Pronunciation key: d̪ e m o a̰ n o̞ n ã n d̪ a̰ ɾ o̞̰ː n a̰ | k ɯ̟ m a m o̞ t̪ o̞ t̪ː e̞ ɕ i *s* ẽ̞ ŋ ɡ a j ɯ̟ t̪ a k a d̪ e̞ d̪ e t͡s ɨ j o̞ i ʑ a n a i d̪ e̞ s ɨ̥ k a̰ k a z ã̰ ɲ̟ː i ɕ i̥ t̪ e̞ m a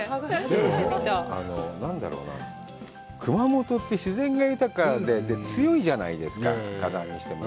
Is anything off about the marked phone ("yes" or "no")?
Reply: yes